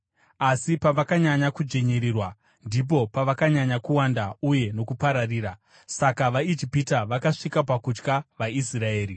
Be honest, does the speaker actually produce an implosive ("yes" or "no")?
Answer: no